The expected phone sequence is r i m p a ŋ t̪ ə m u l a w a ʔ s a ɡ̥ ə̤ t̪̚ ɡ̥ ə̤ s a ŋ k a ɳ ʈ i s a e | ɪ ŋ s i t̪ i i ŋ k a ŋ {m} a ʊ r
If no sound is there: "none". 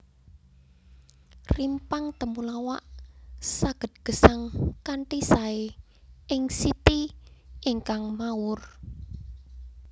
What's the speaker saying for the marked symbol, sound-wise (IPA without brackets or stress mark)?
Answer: m